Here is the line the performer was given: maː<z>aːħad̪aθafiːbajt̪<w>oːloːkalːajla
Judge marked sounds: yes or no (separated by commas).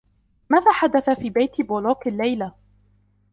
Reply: no, no